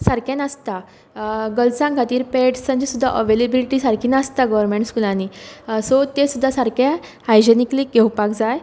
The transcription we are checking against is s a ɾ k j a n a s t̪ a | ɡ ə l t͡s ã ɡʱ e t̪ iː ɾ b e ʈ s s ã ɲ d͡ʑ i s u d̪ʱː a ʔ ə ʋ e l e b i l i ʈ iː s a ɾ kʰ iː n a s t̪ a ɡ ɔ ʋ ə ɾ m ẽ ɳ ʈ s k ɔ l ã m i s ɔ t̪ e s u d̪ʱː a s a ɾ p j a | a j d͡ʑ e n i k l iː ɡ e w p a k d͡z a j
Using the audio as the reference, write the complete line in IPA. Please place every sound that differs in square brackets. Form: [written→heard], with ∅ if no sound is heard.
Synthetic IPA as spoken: s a ɾ k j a n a s t̪ a | ɡ ə l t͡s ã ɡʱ [e→a] t̪ iː ɾ [b→p] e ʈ s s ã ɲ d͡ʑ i s u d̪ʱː a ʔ ə ʋ e l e b i l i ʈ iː s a ɾ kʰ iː n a s t̪ a ɡ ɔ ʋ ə ɾ m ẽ ɳ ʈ s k [ɔ→u] l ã [m→n] i s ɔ t̪ e s u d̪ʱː a s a ɾ [p→k] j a | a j d͡ʑ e n i k l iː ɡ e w p a k d͡z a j